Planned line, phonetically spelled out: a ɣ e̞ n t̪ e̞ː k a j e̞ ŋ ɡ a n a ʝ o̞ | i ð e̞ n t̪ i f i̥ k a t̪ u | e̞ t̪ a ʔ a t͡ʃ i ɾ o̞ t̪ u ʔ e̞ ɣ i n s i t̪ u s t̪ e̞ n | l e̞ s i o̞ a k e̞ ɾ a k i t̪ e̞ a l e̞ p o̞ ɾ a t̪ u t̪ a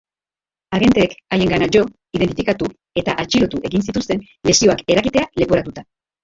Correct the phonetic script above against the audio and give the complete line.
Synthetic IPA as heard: a ɣ e̞ n t̪ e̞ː k a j e̞ ŋ ɡ a n a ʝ o̞ | i ð e̞ n t̪ i f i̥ k a t̪ u | e̞ t̪ a ʔ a t͡ʃ i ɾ o̞ t̪ u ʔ e̞ ɣ i n s i t̪ u s t̪ e̞ n | l e̞ s i o̞ a k e̞ ɾ a k i t̪ e̞ a l e̞ p o̞ ɾ a t̪ u t̪ a